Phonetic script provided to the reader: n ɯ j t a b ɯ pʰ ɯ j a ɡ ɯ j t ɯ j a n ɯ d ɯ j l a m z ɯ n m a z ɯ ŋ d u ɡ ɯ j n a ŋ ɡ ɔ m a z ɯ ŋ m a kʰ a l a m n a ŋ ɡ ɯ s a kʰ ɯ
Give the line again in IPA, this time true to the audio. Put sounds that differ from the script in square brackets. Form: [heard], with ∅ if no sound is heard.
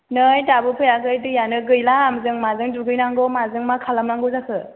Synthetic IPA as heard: n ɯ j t a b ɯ pʰ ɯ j a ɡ ɯ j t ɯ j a n ɯ [ɡ] ɯ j l a m z ɯ [ŋ] m a z ɯ ŋ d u ɡ ɯ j n a ŋ ɡ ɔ m a z ɯ ŋ m a kʰ a l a m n a ŋ ɡ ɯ [z] a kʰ ɯ